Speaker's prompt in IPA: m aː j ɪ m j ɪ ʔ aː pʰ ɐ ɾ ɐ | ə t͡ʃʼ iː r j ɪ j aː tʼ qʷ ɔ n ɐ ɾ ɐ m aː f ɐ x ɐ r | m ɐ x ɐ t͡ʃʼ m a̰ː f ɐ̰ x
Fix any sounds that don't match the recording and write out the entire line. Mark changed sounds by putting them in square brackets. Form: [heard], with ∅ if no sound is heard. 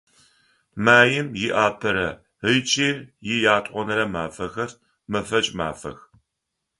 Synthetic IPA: m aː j ɪ m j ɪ ʔ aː pʰ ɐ ɾ ɐ | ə t͡ʃʼ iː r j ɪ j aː tʼ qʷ ɔ n ɐ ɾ ɐ m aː f ɐ x ɐ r | m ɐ [f] ɐ t͡ʃʼ m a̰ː f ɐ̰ x

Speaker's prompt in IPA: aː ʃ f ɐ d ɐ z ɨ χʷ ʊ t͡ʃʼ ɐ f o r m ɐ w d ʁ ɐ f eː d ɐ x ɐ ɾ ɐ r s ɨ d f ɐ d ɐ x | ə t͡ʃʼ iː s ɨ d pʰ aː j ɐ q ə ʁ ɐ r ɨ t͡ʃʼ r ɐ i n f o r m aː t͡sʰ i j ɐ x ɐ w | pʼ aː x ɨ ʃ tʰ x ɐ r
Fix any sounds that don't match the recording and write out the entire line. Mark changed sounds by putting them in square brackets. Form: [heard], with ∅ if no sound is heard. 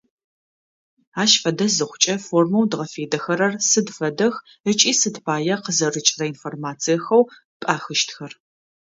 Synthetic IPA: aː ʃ f ɐ d ɐ z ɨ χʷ ʊ t͡ʃʼ ɐ f o r m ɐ w d ʁ ɐ f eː d ɐ x ɐ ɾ ɐ r s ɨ d f ɐ d ɐ x | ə t͡ʃʼ iː s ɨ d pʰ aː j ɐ q ə [z] ɐ r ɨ t͡ʃʼ r ɐ i n f o r m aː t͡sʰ i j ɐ x ɐ w | pʼ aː x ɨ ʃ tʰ x ɐ r

